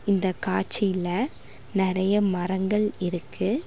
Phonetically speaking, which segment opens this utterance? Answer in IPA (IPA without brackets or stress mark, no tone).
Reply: ɪ